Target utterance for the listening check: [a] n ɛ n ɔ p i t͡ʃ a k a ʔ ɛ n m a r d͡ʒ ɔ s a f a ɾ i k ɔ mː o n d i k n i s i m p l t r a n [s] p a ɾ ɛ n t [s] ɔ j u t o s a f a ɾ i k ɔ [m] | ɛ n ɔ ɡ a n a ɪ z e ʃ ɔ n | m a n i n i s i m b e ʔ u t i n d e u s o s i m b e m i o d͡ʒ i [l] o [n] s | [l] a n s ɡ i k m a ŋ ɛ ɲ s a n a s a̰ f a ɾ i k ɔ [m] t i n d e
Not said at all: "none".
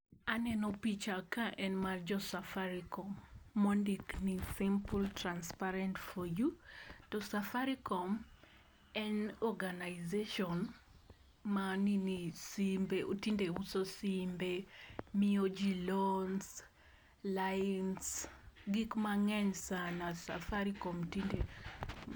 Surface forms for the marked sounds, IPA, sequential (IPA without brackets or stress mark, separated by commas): a, s, f, m, l, n, l, m